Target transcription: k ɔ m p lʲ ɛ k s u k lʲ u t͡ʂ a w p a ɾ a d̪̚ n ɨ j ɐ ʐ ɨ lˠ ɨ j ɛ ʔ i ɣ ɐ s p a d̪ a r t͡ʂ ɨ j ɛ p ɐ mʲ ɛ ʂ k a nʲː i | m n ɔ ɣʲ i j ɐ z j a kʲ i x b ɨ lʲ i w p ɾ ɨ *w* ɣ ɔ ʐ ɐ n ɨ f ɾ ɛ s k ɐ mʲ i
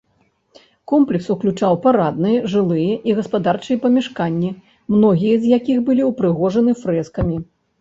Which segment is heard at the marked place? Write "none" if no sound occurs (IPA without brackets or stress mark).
none